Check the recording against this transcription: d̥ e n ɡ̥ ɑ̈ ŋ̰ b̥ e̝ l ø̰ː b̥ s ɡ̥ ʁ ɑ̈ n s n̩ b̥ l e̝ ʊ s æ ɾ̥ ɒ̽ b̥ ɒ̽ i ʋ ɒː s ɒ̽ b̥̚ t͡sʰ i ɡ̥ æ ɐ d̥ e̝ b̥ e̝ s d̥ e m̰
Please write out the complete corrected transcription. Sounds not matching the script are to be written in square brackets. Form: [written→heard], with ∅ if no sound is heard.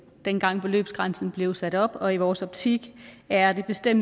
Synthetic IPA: d̥ e n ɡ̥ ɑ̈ ŋ̰ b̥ e̝ l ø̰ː b̥ s ɡ̥ ʁ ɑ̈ n s n̩ b̥ l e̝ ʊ s æ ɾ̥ ɒ̽ b̥ ɒ̽ i ʋ ɒː s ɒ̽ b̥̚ t͡sʰ i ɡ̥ æ ɐ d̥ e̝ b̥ e̝ s d̥ e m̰